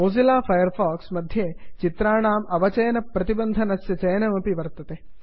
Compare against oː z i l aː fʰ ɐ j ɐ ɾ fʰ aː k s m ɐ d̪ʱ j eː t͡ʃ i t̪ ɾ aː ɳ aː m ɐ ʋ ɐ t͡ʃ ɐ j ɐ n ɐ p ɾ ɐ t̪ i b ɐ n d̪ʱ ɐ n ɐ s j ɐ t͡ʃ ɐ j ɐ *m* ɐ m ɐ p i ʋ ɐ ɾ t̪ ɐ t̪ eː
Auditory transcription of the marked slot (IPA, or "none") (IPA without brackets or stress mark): n